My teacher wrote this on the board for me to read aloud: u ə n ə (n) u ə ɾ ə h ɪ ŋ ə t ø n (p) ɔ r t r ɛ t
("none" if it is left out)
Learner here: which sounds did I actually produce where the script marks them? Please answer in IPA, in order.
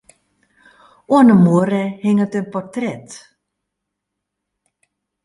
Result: m, p

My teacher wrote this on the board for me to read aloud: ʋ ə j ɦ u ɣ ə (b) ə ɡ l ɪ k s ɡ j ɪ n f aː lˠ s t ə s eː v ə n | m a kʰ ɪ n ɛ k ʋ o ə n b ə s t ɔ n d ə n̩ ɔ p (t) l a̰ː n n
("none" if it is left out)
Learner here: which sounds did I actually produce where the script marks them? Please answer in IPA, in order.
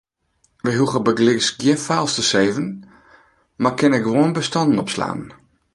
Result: b, s

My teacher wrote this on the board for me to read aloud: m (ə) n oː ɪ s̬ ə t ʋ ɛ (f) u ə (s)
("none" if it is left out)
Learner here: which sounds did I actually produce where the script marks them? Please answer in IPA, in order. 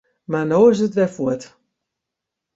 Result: a, f, t

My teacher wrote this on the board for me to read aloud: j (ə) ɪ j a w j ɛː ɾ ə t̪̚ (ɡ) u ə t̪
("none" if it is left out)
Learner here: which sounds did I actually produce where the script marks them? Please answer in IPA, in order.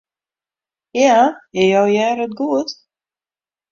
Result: a, ɡ

